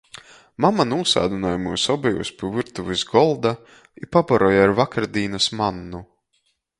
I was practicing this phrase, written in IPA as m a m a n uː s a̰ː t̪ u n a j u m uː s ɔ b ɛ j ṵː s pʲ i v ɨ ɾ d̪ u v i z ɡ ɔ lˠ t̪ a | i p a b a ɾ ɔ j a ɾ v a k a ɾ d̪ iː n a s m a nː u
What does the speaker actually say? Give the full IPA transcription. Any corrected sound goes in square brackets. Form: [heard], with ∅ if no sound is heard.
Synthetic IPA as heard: m a m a n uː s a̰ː [d̪] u n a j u m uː s ɔ b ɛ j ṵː s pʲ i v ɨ ɾ [t̪] u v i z ɡ ɔ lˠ [d̪] a | i p a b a ɾ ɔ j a ɾ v a k a ɾ d̪ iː n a s m a nː u